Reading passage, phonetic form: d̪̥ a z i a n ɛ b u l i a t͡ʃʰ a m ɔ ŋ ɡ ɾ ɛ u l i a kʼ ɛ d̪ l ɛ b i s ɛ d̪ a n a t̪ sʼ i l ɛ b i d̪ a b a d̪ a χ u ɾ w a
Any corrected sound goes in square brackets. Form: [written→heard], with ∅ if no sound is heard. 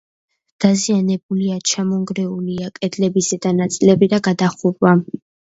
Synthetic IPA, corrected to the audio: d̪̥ a z i a n ɛ b u l i a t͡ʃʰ a m ɔ ŋ ɡ ɾ ɛ u l i a kʼ ɛ d̪ l ɛ b i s ɛ d̪ a n a t̪ sʼ i l ɛ b i d̪ a [b→ɡ] a d̪ a χ u ɾ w a

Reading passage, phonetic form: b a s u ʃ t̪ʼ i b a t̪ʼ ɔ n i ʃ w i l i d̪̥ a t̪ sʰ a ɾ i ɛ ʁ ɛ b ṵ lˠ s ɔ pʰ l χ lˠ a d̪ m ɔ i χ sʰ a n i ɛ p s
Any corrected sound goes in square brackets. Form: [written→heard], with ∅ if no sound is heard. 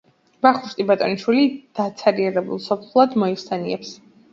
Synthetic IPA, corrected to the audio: b a [s→χ] u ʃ t̪ʼ i b a t̪ʼ ɔ n i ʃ w i l i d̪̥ a t̪ sʰ a ɾ i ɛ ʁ ɛ b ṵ lˠ s ɔ pʰ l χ lˠ a d̪ m ɔ i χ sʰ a n i ɛ p s

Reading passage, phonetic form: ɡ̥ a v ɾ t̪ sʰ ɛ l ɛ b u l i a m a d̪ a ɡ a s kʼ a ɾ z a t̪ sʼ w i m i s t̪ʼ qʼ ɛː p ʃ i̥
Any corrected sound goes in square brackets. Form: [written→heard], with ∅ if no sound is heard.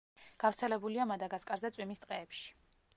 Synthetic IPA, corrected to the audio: ɡ̥ a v ɾ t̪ sʰ ɛ l ɛ b u l i a m a d̪ a ɡ a s kʼ a ɾ z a t̪ sʼ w i m i s t̪ʼ qʼ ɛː p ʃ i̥

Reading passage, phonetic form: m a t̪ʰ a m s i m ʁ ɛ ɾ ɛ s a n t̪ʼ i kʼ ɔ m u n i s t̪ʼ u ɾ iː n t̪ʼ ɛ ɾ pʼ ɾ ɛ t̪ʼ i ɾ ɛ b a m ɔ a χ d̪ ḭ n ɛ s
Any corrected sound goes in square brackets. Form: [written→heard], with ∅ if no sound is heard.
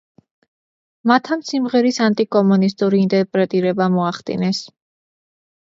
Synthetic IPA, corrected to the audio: m a t̪ʰ a m s i m ʁ ɛ ɾ [ɛ→i] s a n t̪ʼ i kʼ ɔ m u n i s t̪ʼ u ɾ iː n t̪ʼ ɛ ɾ pʼ ɾ ɛ t̪ʼ i ɾ ɛ b a m ɔ a χ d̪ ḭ n ɛ s

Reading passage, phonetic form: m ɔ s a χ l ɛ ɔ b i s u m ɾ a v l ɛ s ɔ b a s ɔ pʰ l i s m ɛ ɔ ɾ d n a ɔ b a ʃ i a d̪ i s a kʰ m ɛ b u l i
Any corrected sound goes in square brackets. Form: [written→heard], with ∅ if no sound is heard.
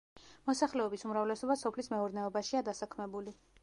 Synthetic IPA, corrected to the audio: m ɔ s a χ l ɛ ɔ b i s u m ɾ a v l ɛ s ɔ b a s ɔ pʰ l i s m ɛ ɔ ɾ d n [a→ɛ] ɔ b a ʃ i a d̪ [i→a] s a kʰ m ɛ b u l i

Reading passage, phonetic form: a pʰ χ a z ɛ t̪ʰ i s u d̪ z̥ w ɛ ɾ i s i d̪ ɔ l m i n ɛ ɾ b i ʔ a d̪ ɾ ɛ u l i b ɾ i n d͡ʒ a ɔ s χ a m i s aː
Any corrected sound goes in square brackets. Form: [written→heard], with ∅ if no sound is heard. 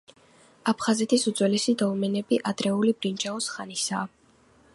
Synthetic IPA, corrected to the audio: a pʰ χ a z ɛ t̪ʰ i s u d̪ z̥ w ɛ [ɾ→l] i s i d̪ ɔ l m [i→ɛ] n ɛ [ɾ→∅] b i ʔ a d̪ ɾ ɛ u l i b ɾ i n d͡ʒ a ɔ s χ a [m→n] i s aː

